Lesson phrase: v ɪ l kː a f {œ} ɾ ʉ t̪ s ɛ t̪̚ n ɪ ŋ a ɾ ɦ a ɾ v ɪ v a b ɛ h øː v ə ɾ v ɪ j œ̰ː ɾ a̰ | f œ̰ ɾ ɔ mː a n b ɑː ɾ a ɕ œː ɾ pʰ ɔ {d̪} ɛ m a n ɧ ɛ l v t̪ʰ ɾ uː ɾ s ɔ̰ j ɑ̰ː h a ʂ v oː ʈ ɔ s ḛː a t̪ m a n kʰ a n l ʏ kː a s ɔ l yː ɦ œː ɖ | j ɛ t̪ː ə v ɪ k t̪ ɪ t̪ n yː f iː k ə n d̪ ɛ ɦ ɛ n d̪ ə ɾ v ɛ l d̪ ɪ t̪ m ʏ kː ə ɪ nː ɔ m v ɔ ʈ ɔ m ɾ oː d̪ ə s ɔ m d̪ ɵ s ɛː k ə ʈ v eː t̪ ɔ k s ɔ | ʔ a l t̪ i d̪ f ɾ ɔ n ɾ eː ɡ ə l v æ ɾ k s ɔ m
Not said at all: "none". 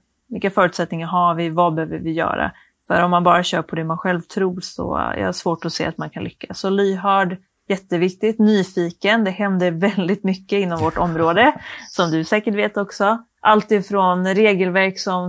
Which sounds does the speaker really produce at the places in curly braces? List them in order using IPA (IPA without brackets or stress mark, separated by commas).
œː, d̪